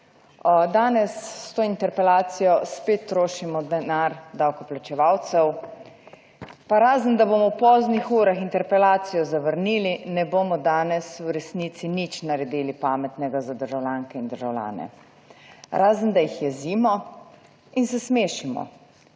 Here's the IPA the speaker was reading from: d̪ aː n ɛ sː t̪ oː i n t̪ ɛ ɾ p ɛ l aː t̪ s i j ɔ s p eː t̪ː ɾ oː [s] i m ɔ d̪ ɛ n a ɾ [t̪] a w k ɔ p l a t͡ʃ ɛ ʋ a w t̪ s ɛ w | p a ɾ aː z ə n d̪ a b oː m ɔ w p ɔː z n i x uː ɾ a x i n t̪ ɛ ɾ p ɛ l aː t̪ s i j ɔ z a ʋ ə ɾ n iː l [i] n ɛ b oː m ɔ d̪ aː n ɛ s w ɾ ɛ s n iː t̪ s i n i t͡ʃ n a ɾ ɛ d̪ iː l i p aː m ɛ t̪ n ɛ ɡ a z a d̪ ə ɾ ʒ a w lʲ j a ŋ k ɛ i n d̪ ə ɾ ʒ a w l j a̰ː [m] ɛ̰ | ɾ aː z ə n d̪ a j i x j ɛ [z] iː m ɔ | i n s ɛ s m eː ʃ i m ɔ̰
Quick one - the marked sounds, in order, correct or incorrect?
incorrect, incorrect, correct, incorrect, correct

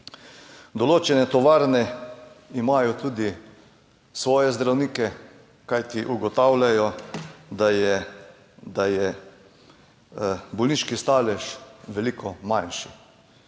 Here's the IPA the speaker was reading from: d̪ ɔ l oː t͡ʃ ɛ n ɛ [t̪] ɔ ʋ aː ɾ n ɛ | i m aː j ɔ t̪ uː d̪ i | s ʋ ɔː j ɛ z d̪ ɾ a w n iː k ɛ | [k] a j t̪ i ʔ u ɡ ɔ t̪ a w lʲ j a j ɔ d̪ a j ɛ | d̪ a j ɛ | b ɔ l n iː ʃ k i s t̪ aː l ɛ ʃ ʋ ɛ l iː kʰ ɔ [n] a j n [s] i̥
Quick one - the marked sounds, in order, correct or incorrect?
correct, correct, incorrect, incorrect

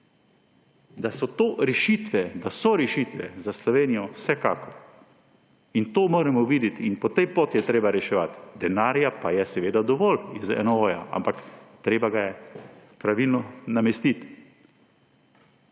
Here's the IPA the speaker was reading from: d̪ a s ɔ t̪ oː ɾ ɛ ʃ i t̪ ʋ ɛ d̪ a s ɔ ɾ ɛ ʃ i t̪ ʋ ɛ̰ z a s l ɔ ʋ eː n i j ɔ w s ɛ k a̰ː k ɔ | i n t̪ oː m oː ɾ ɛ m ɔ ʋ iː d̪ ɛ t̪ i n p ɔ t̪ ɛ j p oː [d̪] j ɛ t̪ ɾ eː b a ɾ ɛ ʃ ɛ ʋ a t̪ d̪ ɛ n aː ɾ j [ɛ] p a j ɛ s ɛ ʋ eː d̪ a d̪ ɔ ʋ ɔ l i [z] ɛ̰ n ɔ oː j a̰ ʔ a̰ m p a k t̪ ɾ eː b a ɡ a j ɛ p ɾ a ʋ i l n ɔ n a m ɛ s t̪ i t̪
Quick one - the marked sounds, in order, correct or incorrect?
incorrect, incorrect, correct

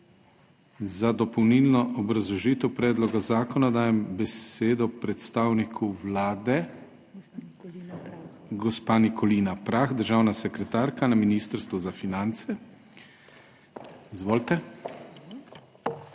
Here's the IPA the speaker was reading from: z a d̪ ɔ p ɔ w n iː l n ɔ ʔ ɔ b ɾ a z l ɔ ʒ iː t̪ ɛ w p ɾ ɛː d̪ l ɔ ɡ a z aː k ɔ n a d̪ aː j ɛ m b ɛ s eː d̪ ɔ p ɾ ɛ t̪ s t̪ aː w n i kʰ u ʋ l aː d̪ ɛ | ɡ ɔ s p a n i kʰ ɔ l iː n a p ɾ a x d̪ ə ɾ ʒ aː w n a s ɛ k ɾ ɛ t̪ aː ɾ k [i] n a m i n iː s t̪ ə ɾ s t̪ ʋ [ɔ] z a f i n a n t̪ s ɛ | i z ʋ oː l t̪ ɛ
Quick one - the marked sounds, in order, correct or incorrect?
incorrect, incorrect

